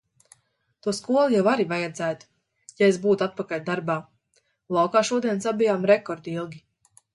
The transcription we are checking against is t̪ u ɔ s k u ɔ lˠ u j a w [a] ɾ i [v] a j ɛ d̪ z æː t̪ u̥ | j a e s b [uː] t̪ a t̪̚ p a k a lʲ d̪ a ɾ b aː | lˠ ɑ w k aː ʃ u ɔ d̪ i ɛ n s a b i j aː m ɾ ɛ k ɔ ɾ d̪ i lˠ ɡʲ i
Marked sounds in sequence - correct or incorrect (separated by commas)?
correct, correct, correct